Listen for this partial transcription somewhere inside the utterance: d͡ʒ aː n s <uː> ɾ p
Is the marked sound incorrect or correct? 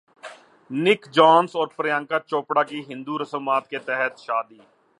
incorrect